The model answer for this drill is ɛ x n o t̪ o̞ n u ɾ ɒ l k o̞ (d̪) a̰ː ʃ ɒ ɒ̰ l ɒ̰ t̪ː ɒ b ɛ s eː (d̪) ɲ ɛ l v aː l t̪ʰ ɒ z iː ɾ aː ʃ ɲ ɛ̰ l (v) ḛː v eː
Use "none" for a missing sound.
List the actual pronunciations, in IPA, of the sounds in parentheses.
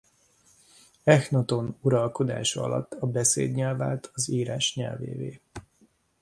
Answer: d̪, d̪, v

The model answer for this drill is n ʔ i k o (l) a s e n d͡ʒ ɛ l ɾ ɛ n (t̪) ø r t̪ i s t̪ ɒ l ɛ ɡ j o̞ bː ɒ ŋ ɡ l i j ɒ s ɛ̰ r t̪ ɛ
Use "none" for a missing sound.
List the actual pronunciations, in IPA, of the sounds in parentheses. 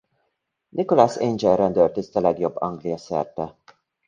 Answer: l, d̪

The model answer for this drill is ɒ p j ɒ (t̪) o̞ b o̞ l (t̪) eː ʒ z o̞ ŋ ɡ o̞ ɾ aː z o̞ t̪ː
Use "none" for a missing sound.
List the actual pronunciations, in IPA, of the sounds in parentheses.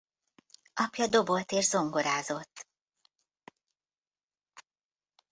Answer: d̪, t̪

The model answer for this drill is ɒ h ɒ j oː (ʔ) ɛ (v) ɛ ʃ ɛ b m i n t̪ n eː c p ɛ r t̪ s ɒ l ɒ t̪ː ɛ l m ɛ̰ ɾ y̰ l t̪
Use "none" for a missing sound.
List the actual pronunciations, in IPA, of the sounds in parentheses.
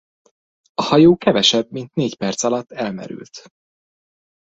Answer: k, v

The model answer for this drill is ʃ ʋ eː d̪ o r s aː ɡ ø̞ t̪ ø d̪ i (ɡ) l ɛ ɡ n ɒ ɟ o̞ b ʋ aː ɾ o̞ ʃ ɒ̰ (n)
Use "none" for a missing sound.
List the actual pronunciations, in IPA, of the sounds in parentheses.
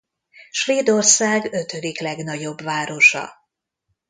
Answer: k, none

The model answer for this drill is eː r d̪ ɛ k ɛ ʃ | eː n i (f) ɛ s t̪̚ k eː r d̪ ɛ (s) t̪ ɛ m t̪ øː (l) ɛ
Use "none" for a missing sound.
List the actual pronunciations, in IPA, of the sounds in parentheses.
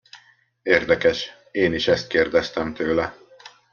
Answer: ʃ, s, l

